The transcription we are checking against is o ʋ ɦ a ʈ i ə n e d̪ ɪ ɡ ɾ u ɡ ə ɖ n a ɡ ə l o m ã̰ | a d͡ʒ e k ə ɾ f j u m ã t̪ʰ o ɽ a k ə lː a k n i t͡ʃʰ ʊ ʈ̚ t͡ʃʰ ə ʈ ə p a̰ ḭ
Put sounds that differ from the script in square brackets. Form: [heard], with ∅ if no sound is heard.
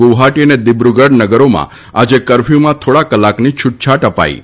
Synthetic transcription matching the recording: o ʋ ɦ a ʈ i ə n e d̪ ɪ [b] ɾ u ɡ ə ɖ n [ə] ɡ ə [ɾ] o m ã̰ | a d͡ʒ e k ə ɾ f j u m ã t̪ʰ o ɽ a k ə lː a k n i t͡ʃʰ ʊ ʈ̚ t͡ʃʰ [a] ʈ ə p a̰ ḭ